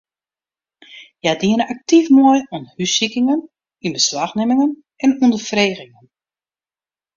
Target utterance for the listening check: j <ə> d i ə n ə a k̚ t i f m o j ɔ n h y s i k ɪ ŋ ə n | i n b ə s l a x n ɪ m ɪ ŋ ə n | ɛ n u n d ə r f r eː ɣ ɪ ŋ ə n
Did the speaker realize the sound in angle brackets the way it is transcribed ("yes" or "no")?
no